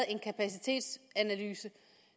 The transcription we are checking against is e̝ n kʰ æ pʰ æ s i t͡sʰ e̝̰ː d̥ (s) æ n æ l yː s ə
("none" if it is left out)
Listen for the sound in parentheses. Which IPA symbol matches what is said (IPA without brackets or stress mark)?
s